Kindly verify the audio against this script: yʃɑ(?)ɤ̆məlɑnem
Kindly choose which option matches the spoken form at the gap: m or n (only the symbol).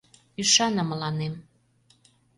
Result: n